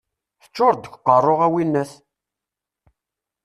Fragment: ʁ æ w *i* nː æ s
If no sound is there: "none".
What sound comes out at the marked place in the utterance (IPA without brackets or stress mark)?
i